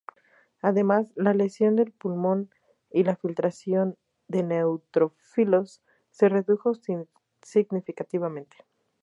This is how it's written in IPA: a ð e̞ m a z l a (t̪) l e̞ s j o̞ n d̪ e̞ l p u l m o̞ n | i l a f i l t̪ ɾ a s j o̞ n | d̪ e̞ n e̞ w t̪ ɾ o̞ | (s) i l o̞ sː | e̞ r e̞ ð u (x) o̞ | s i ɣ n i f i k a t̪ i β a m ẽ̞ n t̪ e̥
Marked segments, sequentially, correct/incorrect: incorrect, incorrect, correct

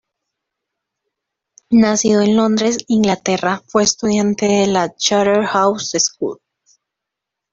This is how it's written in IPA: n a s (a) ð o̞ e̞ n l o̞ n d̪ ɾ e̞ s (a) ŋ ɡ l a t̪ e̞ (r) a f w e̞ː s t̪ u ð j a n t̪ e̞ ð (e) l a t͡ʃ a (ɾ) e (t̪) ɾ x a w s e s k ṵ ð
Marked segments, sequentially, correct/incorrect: incorrect, incorrect, correct, correct, correct, incorrect

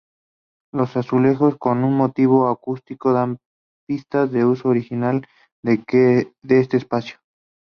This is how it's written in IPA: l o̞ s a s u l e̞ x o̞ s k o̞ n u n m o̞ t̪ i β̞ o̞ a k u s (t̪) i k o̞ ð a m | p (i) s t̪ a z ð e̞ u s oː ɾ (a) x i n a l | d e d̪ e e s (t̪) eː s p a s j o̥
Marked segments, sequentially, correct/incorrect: correct, correct, incorrect, correct

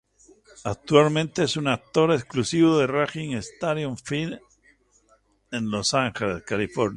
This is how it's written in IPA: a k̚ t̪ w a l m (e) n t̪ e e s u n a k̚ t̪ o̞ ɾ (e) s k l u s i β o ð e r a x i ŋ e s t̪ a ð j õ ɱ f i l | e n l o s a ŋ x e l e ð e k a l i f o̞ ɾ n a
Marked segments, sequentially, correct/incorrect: incorrect, correct

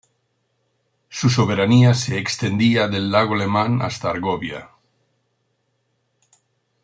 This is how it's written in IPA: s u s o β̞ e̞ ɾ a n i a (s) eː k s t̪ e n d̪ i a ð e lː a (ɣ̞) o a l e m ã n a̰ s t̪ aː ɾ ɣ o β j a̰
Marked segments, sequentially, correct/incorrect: correct, correct

